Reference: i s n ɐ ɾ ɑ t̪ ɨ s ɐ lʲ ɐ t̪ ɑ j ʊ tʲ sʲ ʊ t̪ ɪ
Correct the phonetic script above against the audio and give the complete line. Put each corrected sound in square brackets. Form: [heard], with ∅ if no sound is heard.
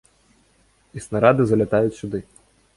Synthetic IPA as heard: i s n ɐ ɾ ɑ [d̪] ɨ [z] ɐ lʲ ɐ t̪ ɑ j ʊ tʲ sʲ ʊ [d̪] ɪ